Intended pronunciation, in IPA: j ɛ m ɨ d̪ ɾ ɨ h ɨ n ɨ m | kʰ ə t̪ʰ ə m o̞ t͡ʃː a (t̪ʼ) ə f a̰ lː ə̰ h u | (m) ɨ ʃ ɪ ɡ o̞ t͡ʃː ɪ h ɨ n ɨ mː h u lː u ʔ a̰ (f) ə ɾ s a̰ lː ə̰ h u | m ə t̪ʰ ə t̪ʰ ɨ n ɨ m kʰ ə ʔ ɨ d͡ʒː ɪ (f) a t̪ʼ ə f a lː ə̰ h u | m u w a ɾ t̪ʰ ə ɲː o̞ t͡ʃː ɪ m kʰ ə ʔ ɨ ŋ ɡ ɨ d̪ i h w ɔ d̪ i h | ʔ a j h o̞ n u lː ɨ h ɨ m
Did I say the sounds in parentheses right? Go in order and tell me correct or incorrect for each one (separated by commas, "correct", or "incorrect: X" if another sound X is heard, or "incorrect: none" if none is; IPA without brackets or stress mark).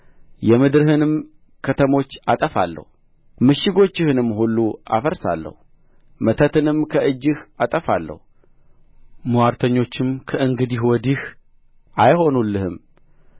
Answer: correct, correct, correct, incorrect: h